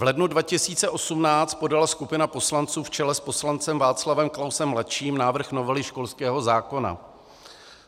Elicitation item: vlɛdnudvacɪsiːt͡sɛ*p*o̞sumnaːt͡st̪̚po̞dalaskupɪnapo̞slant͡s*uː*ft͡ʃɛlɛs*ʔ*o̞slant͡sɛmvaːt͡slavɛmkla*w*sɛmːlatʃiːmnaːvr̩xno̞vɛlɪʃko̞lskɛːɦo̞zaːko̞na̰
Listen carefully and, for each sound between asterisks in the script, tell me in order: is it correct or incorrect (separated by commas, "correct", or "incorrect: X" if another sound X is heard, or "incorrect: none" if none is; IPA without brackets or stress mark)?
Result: incorrect: ʔ, correct, incorrect: p, correct